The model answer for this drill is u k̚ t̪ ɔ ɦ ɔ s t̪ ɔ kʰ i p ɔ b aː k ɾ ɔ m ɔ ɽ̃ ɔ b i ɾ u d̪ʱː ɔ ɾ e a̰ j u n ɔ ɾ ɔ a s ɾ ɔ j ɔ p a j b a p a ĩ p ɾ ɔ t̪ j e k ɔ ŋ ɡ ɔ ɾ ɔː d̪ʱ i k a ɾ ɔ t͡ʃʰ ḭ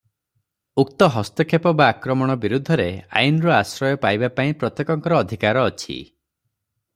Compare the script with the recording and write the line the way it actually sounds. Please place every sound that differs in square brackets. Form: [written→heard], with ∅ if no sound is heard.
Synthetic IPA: u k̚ t̪ ɔ ɦ ɔ s t̪ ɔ kʰ [i→e] p ɔ b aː k ɾ ɔ m ɔ ɽ̃ ɔ b i ɾ u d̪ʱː ɔ ɾ e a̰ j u n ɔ ɾ ɔ a s ɾ ɔ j ɔ p a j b a p a ĩ p ɾ ɔ t̪ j e k ɔ ŋ [ɡ→k] ɔ ɾ ɔː d̪ʱ i k a ɾ [ɔ→ɔː] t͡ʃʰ ḭ